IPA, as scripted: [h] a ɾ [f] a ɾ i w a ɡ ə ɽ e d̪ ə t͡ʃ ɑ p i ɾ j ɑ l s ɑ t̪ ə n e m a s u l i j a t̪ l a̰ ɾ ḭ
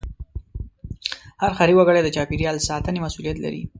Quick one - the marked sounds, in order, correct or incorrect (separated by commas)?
correct, incorrect